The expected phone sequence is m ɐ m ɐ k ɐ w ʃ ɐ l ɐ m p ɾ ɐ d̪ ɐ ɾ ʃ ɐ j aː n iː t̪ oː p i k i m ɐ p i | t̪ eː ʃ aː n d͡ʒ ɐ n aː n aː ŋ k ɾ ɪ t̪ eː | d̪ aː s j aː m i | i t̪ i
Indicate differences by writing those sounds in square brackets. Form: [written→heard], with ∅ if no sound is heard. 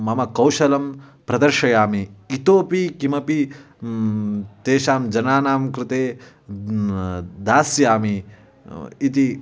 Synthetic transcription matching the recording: m ɐ m ɐ k ɐ w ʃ ɐ l ɐ m p ɾ ɐ d̪ ɐ ɾ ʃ ɐ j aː [n→m] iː t̪ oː p i k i m ɐ p i | t̪ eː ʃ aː [n→m] d͡ʒ ɐ n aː n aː [ŋ→m] k ɾ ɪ t̪ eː | d̪ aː s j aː m i | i t̪ i